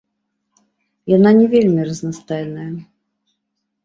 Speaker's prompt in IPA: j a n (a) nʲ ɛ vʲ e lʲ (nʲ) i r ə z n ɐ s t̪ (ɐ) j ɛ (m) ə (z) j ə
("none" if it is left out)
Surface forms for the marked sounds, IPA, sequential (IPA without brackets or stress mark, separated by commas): a, mʲ, a, n, none